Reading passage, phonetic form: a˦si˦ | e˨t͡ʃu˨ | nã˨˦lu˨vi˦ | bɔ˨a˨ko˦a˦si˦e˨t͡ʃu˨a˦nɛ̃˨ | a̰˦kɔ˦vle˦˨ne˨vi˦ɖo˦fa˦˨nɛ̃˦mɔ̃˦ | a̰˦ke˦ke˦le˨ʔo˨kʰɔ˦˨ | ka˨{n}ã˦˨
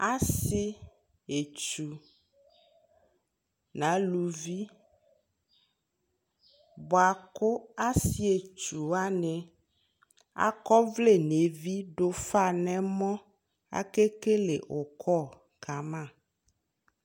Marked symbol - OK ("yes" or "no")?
no